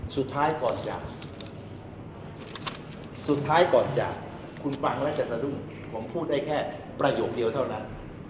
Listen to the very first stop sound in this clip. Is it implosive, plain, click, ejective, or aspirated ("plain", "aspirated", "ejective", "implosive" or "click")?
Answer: aspirated